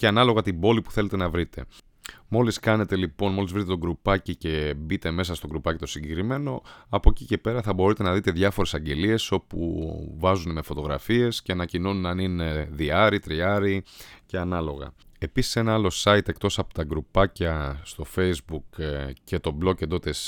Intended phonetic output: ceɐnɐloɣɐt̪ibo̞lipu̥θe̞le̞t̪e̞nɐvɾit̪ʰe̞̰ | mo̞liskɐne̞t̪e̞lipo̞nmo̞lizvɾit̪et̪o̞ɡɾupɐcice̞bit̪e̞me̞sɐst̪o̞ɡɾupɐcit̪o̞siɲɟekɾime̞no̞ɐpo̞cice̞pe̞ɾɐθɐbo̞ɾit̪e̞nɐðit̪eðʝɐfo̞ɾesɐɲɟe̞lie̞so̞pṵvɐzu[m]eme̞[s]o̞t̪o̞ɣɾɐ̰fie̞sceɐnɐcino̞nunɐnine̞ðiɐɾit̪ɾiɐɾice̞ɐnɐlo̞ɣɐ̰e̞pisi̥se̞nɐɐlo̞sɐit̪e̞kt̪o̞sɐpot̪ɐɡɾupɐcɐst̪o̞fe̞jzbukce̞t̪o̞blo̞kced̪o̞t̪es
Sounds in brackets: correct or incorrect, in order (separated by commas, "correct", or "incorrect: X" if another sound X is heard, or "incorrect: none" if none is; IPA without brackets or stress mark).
incorrect: n, incorrect: f